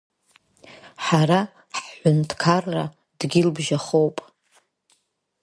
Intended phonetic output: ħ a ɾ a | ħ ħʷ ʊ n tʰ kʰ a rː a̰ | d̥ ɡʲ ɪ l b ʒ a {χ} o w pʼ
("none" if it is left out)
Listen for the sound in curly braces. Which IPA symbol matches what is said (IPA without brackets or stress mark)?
χ